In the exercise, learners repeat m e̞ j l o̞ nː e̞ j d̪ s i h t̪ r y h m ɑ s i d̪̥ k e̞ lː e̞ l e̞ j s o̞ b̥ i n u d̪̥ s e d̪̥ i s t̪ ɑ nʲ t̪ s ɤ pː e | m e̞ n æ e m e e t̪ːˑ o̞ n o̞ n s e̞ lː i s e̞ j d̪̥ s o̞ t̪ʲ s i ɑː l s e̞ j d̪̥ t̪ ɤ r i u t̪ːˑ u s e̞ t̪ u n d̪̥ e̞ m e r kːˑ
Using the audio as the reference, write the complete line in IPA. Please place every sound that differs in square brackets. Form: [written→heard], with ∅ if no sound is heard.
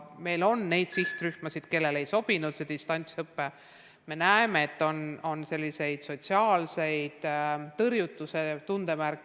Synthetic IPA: m e̞ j l o̞ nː e̞ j d̪ s i h t̪ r y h m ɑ s i d̪̥ k e̞ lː e̞ l e̞ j s o̞ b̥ i n u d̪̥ s e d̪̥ i s t̪ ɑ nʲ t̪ s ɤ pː e | m e̞ n æ e m e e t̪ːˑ o̞ n o̞ n s e̞ lː i s e̞ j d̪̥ s o̞ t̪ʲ s i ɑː l s e̞ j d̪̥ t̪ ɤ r [i→j] u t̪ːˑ u s e̞ t̪ u n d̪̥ e̞ m [e→æ] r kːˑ